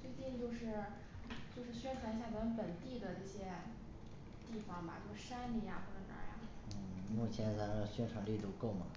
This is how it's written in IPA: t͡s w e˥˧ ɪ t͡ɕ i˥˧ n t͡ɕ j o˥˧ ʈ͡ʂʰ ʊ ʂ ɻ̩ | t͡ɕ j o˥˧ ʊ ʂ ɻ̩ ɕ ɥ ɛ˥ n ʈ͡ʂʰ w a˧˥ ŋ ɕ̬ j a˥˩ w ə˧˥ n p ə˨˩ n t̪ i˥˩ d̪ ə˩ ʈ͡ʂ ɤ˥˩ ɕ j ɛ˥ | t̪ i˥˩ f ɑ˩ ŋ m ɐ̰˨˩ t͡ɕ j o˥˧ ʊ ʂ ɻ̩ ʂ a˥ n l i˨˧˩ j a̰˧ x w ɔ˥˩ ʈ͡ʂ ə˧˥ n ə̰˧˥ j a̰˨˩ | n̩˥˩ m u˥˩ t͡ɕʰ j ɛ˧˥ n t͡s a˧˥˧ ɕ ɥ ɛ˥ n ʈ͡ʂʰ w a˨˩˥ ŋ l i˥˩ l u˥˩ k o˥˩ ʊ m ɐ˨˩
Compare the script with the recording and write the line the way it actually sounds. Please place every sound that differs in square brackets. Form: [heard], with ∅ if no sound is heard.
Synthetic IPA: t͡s w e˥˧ ɪ t͡ɕ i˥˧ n t͡ɕ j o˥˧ [∅] ʊ ʂ ɻ̩ | t͡ɕ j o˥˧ ʊ ʂ ɻ̩ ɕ ɥ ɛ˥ n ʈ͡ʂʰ w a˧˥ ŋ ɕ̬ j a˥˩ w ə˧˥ n p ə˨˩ n t̪ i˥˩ d̪ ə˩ ʈ͡ʂ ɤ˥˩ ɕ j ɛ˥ | t̪ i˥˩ f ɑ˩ ŋ m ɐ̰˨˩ t͡ɕ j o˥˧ ʊ ʂ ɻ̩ ʂ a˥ n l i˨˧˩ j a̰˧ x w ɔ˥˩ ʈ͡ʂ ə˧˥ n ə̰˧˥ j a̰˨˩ | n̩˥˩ m u˥˩ t͡ɕʰ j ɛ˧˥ n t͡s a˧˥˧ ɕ ɥ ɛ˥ n ʈ͡ʂʰ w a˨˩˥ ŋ l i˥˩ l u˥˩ k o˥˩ ʊ m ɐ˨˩